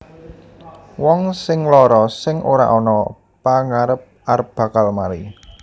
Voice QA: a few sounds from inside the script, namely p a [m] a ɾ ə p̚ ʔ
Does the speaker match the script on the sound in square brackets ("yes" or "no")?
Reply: no